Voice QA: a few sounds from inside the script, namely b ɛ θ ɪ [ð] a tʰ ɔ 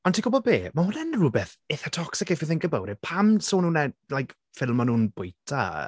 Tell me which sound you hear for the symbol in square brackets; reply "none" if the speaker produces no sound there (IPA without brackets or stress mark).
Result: θ